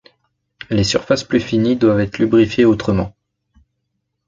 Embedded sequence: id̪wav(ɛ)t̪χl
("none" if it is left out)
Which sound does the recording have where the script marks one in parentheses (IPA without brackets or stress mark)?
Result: ɛ